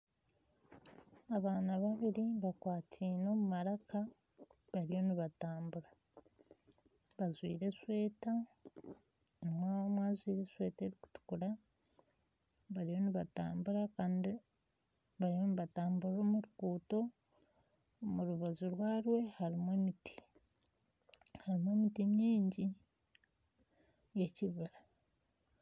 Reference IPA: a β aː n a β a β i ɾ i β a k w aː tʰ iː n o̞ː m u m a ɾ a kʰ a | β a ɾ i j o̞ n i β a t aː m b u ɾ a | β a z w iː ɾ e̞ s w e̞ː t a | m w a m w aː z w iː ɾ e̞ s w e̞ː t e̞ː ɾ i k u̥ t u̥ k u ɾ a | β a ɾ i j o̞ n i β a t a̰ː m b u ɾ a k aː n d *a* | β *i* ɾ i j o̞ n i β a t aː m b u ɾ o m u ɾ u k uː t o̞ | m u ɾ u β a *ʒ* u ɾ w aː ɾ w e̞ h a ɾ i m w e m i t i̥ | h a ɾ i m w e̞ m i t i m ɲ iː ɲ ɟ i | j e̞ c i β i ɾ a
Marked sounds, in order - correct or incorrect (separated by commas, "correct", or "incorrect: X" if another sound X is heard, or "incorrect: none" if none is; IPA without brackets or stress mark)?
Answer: incorrect: i, incorrect: a, incorrect: z